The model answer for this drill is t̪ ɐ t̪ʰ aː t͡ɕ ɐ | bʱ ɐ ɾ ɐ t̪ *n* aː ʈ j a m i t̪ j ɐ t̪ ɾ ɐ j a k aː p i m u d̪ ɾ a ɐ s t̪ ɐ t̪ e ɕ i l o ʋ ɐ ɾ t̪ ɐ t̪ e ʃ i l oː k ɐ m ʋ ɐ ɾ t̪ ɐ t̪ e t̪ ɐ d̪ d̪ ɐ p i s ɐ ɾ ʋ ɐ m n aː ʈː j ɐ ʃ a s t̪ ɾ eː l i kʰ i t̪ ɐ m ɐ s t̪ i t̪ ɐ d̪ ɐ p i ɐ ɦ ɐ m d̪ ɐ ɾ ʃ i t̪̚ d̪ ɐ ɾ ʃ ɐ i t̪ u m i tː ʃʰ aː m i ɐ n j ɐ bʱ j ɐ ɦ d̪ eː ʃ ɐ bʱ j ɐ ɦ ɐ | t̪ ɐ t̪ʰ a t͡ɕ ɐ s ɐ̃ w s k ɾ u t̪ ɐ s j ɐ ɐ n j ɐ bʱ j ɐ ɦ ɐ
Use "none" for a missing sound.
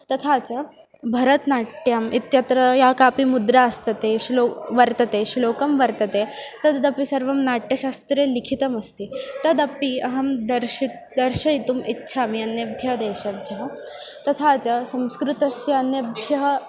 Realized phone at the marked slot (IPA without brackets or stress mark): n